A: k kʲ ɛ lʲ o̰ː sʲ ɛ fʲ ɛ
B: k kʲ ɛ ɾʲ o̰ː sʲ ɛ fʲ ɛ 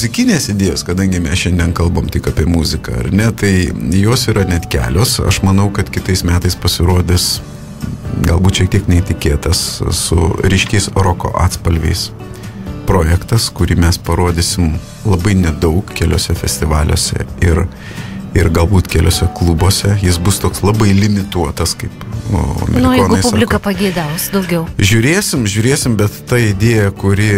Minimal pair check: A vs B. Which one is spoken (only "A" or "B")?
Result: A